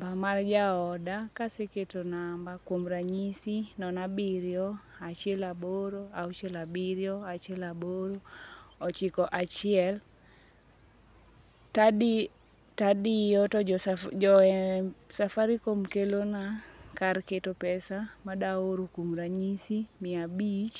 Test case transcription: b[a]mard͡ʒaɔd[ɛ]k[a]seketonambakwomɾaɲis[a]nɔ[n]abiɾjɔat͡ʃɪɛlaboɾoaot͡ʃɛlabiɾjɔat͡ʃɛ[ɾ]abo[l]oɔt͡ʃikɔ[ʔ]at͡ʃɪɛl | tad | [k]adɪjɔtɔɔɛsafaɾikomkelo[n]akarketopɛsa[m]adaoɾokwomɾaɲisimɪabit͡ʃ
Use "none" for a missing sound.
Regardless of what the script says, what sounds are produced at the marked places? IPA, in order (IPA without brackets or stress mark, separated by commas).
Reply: a, a, a, i, n, l, ɾ, ʔ, t, n, m